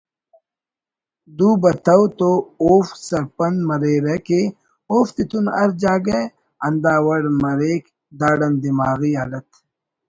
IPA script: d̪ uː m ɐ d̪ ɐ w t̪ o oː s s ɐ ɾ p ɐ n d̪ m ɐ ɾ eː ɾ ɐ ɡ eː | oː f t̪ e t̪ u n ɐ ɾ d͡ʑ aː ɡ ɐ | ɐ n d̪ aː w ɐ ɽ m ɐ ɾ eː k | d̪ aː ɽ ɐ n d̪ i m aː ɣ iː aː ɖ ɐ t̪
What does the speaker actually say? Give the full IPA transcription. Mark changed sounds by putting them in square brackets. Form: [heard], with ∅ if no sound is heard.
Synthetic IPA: d̪ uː [b] ɐ [t̪] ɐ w t̪ o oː [f] s ɐ ɾ p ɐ n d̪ m ɐ ɾ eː ɾ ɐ [k] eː | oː f t̪ [i] t̪ u n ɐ ɾ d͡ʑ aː ɡ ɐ | ɐ n d̪ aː w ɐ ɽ m ɐ ɾ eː k | d̪ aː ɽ ɐ n d̪ i m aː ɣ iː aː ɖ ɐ t̪